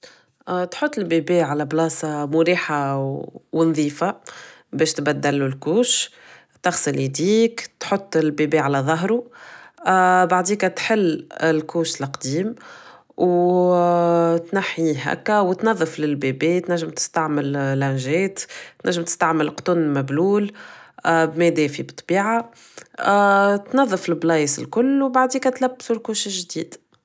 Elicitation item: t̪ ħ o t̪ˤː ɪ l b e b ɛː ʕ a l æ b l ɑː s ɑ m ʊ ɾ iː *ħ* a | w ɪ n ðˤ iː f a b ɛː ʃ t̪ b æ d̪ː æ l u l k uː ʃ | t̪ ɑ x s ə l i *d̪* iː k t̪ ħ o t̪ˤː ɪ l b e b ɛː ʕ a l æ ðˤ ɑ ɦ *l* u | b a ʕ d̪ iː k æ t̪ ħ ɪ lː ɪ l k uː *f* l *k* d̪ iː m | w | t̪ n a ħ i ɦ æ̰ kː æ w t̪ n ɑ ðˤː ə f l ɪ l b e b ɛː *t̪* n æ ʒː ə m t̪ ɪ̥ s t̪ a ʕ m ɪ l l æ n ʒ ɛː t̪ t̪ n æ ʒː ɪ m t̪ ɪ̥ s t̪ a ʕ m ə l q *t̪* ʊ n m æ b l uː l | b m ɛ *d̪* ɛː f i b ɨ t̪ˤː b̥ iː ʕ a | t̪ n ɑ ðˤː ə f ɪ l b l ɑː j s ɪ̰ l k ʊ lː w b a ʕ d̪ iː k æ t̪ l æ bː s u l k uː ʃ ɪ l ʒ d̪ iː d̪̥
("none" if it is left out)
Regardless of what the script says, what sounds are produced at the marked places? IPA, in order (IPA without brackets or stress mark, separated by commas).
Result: ħ, d̪, ɾ, ʃ, q, t̪, t̪, d̪